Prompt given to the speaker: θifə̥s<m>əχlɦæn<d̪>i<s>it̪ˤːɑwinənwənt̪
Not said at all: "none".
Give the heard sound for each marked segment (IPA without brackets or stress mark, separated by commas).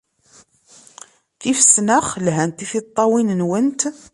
n, t̪, θ